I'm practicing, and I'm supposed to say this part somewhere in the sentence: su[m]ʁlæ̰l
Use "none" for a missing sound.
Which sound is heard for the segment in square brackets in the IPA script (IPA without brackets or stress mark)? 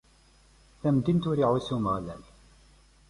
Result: m